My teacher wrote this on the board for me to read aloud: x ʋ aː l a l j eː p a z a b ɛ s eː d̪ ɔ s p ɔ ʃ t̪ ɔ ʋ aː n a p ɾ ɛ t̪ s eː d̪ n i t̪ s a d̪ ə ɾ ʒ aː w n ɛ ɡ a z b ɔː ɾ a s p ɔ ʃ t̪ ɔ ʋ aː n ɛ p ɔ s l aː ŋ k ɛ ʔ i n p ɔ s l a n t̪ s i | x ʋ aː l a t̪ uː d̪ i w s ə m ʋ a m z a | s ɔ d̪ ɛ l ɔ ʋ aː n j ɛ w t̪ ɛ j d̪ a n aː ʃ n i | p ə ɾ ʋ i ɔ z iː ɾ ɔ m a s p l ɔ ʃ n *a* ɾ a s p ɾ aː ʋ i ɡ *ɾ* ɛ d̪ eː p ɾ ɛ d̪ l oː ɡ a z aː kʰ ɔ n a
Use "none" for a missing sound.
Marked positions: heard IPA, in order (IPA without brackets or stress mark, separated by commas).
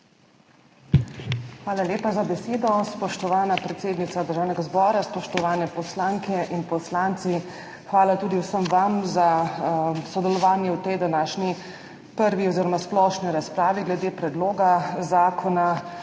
i, l